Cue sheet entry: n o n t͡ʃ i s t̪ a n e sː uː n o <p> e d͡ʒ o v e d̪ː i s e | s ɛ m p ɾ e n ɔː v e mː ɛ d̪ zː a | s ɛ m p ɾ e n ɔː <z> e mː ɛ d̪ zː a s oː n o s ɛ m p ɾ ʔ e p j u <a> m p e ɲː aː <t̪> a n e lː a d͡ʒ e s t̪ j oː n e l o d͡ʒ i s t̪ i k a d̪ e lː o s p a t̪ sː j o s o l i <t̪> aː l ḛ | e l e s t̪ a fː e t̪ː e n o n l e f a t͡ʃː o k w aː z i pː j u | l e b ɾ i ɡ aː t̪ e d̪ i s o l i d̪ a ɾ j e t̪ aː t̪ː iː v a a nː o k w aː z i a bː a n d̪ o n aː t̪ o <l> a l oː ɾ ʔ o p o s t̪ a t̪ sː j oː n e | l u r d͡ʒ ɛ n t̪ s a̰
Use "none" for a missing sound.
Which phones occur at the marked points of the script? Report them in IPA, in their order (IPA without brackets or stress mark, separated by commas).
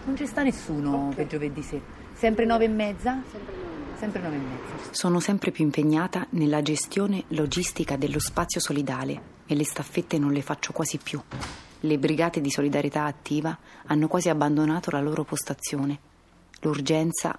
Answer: p, v, i, t̪, d̪, l